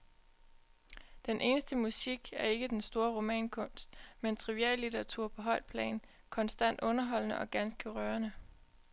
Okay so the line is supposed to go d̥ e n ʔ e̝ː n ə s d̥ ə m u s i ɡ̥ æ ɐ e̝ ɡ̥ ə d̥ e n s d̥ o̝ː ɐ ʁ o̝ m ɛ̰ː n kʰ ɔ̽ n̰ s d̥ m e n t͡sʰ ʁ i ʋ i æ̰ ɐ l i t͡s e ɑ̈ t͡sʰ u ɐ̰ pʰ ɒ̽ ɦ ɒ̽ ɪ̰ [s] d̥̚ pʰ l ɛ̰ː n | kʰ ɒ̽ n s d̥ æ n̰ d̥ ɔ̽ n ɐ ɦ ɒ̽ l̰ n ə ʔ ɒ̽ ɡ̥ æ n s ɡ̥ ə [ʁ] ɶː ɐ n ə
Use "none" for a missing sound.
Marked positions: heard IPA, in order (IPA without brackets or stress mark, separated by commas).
none, ʁ